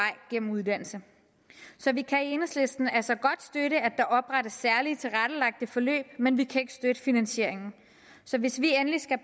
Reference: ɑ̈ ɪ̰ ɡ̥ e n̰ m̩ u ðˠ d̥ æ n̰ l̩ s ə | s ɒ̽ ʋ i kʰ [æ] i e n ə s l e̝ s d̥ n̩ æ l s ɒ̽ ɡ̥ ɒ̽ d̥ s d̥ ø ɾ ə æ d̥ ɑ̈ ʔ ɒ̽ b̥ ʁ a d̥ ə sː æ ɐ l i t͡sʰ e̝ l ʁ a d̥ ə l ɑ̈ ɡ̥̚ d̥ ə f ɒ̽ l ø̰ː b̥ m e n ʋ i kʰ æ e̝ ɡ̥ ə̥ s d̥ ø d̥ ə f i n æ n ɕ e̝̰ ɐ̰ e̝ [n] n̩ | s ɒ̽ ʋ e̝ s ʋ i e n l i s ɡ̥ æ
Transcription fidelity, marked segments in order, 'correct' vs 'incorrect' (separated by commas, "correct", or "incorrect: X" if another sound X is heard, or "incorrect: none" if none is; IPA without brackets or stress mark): correct, incorrect: ŋ